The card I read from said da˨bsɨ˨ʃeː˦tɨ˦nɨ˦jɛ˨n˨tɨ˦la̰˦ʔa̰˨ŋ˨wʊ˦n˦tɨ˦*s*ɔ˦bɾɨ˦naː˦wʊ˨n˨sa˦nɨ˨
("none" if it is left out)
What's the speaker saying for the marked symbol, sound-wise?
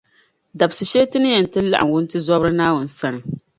z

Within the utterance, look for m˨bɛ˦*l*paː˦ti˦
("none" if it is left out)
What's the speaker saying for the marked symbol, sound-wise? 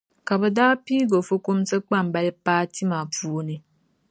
l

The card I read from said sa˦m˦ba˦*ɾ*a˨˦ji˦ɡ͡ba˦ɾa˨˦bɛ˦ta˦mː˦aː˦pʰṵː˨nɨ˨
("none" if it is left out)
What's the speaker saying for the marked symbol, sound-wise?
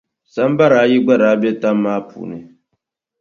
ɾ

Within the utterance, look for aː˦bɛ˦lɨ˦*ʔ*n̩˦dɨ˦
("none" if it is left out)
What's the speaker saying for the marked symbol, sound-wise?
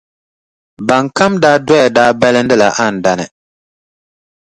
none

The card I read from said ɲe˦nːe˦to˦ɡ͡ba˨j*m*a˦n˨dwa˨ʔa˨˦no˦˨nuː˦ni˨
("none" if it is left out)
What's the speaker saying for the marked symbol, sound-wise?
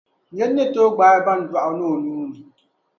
b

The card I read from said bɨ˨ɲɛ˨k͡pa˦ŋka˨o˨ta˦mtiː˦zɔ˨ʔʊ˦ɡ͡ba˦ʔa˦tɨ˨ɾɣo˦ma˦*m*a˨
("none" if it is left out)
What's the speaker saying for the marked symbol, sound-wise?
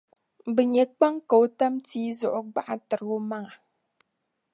ŋ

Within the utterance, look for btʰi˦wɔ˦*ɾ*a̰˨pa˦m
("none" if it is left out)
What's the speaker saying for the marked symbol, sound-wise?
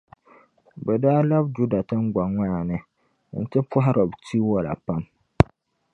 l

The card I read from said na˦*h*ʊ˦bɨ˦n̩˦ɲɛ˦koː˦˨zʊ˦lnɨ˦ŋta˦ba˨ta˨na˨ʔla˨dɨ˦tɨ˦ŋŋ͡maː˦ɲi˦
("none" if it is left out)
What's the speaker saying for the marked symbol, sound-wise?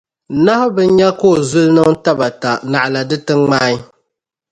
h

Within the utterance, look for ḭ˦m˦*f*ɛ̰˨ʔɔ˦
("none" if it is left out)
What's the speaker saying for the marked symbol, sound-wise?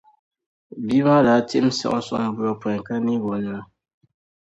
s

